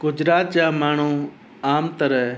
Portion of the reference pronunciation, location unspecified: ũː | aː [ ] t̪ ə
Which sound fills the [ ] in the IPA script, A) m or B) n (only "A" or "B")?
A